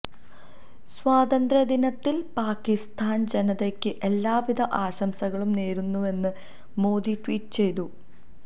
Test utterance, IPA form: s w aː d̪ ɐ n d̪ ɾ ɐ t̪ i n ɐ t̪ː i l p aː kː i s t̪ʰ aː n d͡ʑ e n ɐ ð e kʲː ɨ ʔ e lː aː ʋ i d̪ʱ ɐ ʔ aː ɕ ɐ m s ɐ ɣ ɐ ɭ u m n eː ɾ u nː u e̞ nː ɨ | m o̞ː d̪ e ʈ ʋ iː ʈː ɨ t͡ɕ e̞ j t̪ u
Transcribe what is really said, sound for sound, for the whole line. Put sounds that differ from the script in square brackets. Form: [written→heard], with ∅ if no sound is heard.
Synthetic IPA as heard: s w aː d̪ ɐ n d̪ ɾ ɐ [t̪→d̪] i n ɐ t̪ː i l p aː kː i s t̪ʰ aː n d͡ʑ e n ɐ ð e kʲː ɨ ʔ e lː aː ʋ i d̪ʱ ɐ ʔ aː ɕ ɐ m s ɐ ɣ ɐ ɭ u m n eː ɾ u nː u e̞ nː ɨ | m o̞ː d̪ [e→i] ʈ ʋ iː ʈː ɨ t͡ɕ e̞ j t̪ u